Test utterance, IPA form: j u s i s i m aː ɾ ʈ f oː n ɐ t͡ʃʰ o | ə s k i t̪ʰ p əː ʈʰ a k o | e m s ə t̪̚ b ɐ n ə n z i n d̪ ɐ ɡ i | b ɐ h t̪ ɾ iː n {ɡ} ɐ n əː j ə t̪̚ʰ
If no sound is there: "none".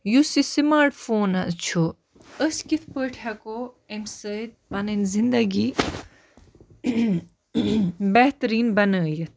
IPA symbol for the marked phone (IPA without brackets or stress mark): b